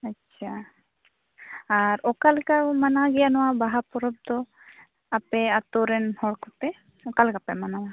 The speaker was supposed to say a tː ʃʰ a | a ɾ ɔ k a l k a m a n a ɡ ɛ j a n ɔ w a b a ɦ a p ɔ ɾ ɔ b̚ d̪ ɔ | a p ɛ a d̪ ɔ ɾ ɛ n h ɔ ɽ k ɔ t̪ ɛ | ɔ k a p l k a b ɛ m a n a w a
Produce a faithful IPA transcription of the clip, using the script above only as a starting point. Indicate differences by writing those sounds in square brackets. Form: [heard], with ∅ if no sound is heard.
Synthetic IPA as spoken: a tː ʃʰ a | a ɾ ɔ k a l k a m a n a ɡ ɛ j a n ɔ w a b a ɦ a p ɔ ɾ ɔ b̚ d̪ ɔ | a p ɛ a [t̪] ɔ ɾ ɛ n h ɔ ɽ k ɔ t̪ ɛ | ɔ k a [∅] l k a [p] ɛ m a n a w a

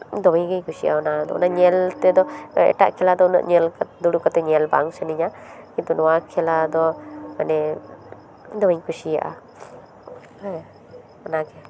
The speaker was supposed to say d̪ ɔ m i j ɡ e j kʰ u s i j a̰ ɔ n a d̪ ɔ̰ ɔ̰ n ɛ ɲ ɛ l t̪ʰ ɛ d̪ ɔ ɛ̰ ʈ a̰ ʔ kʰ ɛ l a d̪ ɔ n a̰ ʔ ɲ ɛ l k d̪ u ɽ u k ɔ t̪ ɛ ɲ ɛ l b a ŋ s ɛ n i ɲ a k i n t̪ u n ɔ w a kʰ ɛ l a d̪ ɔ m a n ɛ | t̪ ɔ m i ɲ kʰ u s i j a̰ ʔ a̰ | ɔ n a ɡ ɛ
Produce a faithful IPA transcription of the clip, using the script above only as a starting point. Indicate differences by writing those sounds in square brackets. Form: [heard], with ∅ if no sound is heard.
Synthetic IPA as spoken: d̪ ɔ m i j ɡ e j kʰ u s i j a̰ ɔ n a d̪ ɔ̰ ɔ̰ n [a] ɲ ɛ l [t̪] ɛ d̪ ɔ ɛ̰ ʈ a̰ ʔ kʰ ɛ l a d̪ ɔ n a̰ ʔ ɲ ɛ l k d̪ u ɽ u k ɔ t̪ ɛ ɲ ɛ l b a ŋ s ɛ n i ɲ a k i n t̪ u n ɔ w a kʰ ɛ l a d̪ ɔ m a n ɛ | [d̪] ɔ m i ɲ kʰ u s i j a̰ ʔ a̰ | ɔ n a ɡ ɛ

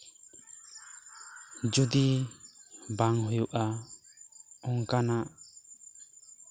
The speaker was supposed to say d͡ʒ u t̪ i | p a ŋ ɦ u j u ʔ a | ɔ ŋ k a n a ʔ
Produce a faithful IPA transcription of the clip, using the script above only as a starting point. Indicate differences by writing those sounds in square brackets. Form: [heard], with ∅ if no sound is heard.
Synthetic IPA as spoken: d͡ʒ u [d̪] i | [b] a ŋ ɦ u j u ʔ a | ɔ ŋ k a n a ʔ

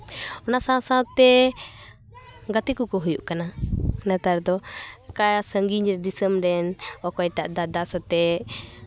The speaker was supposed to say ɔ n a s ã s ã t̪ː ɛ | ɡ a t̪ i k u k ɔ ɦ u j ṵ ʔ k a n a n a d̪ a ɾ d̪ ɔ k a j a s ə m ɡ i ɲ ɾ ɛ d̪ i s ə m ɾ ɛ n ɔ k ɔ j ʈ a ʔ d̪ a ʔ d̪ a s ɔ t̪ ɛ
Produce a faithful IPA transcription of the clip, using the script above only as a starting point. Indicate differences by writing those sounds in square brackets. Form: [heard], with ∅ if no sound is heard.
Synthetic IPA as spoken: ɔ n a s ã s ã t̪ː ɛ | ɡ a t̪ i k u k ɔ ɦ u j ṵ ʔ k a n a n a [t̪] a ɾ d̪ ɔ k a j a s ə [ŋ] ɡ i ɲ ɾ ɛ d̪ i s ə m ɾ ɛ n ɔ k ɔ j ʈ a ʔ d̪ a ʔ d̪ a s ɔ t̪ ɛ

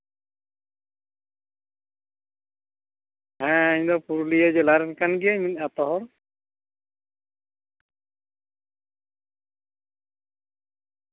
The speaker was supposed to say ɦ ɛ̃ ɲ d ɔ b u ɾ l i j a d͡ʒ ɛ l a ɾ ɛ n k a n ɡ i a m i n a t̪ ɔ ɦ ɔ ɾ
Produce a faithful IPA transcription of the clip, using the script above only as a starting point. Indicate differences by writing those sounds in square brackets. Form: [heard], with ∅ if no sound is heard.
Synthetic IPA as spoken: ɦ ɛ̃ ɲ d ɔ [p] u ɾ l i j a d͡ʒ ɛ l a ɾ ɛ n k a n ɡ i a m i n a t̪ ɔ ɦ ɔ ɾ

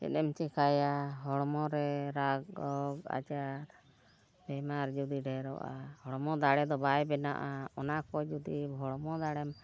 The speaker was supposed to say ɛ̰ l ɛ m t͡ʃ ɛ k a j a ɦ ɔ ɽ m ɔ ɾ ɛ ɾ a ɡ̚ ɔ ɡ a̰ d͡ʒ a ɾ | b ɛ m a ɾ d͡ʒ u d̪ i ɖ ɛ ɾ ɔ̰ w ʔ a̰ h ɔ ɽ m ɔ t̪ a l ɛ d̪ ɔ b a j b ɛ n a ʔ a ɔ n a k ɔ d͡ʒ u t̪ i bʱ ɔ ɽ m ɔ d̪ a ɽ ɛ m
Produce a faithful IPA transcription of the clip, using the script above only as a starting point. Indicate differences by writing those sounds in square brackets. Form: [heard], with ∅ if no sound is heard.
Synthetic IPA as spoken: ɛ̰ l ɛ m t͡ʃ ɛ k a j a ɦ ɔ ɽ m ɔ ɾ ɛ ɾ a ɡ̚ ɔ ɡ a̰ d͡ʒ a ɾ | b ɛ m a ɾ d͡ʒ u d̪ i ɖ ɛ ɾ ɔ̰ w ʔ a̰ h ɔ ɽ m ɔ [d̪] a [ɽ] ɛ d̪ ɔ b a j b ɛ n a ʔ a ɔ n a k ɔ d͡ʒ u [d̪] i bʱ ɔ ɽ m ɔ d̪ a ɽ ɛ m

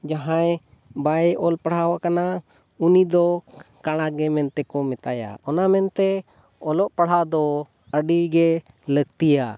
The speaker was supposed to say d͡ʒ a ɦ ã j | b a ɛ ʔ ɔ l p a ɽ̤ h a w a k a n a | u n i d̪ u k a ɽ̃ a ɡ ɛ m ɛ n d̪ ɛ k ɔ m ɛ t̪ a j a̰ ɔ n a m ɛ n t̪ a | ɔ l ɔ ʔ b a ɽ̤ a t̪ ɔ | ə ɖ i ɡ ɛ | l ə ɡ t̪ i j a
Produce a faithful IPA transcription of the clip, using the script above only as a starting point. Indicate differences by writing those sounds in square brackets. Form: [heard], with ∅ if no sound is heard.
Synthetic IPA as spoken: d͡ʒ a ɦ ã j | b a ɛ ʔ ɔ l p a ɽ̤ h a w a k a n a | u n i d̪ [ɔ] k a ɽ̃ a ɡ ɛ m ɛ n [t̪] ɛ k ɔ m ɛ t̪ a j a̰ ɔ n a m ɛ n t̪ [ɛ] | ɔ l ɔ ʔ [p] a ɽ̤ a [d̪] ɔ | ə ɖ i ɡ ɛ | l ə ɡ t̪ i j a

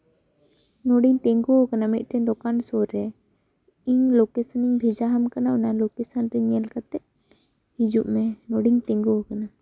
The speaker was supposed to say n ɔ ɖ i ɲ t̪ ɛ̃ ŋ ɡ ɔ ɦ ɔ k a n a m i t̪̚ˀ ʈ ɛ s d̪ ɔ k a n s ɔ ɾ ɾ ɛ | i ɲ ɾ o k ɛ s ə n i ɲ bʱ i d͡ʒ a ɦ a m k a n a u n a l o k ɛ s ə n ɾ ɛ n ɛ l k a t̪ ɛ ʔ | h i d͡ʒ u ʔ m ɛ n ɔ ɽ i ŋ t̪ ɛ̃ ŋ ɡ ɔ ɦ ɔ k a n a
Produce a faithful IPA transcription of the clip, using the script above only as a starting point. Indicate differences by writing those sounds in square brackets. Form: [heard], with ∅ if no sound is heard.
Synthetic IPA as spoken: n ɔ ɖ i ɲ t̪ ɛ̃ ŋ ɡ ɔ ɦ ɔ k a n a m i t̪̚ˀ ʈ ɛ [∅] d̪ ɔ k a n s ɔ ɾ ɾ ɛ | i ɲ [l] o k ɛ s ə n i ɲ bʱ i d͡ʒ a ɦ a m k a n a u n a l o k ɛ s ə n ɾ ɛ [ɲ] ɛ l k a t̪ ɛ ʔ | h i d͡ʒ u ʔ m ɛ n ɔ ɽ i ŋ t̪ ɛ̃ ŋ ɡ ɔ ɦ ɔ k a n a

